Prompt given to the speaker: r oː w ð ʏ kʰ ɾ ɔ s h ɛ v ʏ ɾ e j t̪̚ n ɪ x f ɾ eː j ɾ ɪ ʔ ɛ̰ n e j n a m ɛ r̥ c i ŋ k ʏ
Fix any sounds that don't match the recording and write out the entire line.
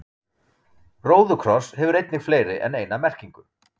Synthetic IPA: r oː w ð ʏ kʰ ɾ ɔ s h ɛ v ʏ ɾ e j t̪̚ n ɪ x f l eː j ɾ ɪ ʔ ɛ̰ n e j n a m ɛ r̥ c i ŋ k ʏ